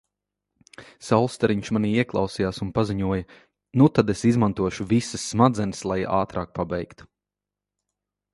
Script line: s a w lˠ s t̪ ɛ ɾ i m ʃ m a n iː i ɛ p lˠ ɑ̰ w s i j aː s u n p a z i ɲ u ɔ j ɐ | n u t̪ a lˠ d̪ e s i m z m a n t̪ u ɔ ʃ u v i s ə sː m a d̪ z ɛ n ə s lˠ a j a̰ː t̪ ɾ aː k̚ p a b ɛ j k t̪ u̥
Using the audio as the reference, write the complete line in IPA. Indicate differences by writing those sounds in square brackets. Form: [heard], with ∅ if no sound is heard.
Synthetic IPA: s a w lˠ s t̪ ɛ ɾ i [ɲ] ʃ m a n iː i ɛ [k] lˠ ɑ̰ w s i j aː s u n p a z i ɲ u ɔ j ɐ | n u t̪ a [∅] d̪ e s i [∅] z m a n t̪ u ɔ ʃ u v i s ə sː m a d̪ z ɛ n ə s lˠ a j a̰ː t̪ ɾ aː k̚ p a b ɛ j k t̪ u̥

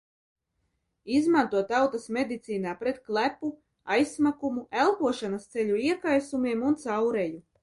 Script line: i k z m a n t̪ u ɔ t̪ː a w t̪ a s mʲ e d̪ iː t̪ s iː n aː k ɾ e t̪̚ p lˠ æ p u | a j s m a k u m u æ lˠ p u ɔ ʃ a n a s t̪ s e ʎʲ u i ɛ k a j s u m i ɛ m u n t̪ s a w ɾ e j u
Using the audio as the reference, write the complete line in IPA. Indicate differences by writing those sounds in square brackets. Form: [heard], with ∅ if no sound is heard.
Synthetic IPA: i [∅] z m a n t̪ u ɔ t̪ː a w t̪ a s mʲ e d̪ [i] t̪ s iː n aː [p] ɾ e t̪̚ [k] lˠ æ p u | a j s m a k u m u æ lˠ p u ɔ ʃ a n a s t̪ s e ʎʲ u i ɛ k a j s u m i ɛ m u n t̪ s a w ɾ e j u

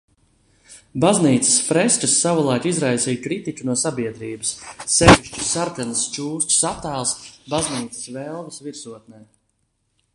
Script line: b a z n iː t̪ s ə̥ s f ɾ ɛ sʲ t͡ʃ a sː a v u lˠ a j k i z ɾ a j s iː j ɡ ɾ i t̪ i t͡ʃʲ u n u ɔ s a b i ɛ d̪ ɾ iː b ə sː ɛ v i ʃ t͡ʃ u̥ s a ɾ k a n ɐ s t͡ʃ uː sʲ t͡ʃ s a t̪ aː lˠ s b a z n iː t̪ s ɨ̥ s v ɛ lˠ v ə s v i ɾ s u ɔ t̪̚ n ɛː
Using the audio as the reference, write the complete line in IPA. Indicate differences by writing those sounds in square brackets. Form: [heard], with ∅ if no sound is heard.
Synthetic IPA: b a z n iː t̪ s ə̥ s f ɾ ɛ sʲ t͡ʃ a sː a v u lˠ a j k i z ɾ a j s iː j [k] ɾ i t̪ i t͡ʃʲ u n u ɔ s a b i ɛ d̪ ɾ iː b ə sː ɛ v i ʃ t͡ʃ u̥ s a ɾ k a n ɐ s t͡ʃ uː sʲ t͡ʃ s a t̪ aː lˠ s b a z n iː t̪ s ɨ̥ s v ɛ lˠ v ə s v i ɾ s u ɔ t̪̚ n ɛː

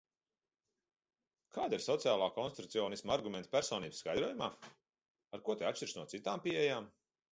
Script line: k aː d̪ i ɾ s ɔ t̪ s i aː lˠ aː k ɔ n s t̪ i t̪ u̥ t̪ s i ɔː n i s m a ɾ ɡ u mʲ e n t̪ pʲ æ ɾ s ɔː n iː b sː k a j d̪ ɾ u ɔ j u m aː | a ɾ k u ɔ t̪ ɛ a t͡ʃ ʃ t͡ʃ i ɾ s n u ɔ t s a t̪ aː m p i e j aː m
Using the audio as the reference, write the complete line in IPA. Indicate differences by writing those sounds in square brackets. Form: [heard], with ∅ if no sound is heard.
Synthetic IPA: k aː d̪ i ɾ s ɔ t̪ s i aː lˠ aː k ɔ n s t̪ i t̪ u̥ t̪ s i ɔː n i s m a ɾ ɡ u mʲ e n t̪ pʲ æ ɾ s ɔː n iː b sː k a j d̪ ɾ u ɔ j u m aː | a ɾ k u ɔ t̪ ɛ a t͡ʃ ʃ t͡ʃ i ɾ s n u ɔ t s [i] t̪ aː m p i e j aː m

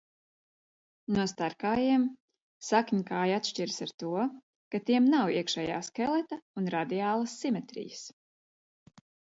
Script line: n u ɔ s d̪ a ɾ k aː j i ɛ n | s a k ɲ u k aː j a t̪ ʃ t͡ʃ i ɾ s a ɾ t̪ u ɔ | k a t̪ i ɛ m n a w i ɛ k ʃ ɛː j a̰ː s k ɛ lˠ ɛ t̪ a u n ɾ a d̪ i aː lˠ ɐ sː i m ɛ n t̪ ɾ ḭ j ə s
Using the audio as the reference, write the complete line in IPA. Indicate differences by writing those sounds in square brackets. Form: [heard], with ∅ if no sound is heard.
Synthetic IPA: n u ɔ s [t̪] a ɾ k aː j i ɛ [m] | s a k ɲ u k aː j a t̪ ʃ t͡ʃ i ɾ s a ɾ t̪ u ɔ | k a t̪ i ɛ m n a w i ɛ k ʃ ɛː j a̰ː s k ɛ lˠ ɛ t̪ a u n ɾ a d̪ i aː lˠ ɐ sː i m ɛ [∅] t̪ ɾ ḭ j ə s

